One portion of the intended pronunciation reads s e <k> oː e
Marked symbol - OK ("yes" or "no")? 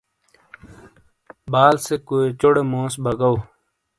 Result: yes